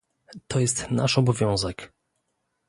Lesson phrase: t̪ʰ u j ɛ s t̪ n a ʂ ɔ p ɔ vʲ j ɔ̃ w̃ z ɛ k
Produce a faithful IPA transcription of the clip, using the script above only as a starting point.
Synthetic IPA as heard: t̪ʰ ɔ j ɛ s t̪ n a ʂ ɔ b ɔ vʲ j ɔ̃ w̃ z ɛ k